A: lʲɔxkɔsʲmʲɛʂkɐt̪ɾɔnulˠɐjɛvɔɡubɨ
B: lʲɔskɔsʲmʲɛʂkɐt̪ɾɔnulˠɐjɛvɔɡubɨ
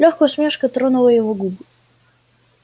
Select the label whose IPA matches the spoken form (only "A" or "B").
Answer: A